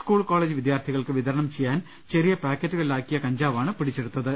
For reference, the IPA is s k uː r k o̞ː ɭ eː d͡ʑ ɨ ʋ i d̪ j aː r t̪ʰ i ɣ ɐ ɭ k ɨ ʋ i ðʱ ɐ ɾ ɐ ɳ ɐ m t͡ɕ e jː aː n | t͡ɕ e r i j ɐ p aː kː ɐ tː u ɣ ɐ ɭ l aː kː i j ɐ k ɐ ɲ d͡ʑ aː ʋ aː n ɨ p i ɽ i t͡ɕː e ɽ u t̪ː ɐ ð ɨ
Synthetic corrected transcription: s k uː ɭ k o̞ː ɭ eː d͡ʑ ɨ ʋ i d̪ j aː r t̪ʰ i ɣ ɐ ɭ k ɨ ʋ i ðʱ ɐ ɾ ɐ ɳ ɐ m t͡ɕ e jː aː n | t͡ɕ e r i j ɐ p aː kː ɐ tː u ɣ ɐ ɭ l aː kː i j ɐ k ɐ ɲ d͡ʑ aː ʋ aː ɳ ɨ p i ɽ i t͡ɕː e ɽ u t̪ː ɐ ð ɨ